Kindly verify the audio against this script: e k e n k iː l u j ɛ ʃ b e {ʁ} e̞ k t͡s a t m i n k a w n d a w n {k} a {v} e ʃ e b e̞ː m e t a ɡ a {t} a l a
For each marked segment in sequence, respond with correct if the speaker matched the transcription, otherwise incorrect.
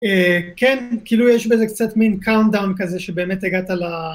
incorrect: z, correct, incorrect: z, correct

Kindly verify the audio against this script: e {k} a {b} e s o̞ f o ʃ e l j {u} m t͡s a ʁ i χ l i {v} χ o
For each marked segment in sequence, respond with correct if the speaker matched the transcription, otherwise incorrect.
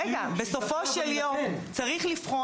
incorrect: ɡ, correct, incorrect: o, incorrect: f

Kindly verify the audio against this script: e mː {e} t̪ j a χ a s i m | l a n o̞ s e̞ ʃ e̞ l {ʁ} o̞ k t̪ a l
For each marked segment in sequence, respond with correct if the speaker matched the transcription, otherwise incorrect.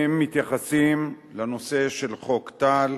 incorrect: i, incorrect: χ

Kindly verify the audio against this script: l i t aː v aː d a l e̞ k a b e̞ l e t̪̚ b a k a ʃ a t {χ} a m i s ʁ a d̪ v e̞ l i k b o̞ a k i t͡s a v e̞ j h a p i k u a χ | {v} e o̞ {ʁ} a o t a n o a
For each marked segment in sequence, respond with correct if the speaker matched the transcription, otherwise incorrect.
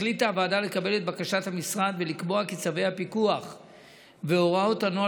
incorrect: h, correct, correct

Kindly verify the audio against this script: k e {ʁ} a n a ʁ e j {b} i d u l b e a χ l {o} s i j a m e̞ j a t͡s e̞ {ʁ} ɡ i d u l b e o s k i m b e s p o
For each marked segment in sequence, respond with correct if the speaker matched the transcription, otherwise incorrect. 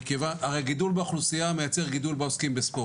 incorrect: v, incorrect: ɡ, incorrect: u, correct

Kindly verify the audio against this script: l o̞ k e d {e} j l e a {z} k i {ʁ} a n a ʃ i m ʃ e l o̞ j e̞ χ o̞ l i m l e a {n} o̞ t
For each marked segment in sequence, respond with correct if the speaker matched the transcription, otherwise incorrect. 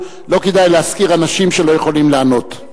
incorrect: a, incorrect: s, correct, correct

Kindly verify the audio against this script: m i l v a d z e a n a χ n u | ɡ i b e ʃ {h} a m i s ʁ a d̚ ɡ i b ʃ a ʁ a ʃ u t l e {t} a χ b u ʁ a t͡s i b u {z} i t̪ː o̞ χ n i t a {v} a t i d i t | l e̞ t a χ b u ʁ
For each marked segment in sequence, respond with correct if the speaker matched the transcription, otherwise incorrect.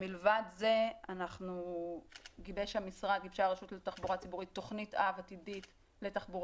correct, correct, incorrect: ʁ, correct

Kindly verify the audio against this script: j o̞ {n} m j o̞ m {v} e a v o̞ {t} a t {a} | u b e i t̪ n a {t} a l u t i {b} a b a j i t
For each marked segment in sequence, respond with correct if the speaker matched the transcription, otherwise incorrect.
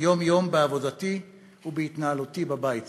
incorrect: none, incorrect: b, incorrect: d, incorrect: i, incorrect: none, correct

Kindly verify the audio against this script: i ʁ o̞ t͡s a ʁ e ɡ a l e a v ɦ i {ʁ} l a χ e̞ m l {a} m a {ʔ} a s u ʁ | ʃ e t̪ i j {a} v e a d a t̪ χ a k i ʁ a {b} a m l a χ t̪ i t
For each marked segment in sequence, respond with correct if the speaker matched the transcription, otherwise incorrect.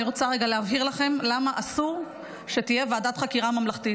correct, correct, correct, incorrect: e, incorrect: m

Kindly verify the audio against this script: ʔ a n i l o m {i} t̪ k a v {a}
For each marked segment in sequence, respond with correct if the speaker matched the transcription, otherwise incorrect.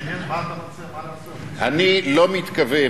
correct, incorrect: e

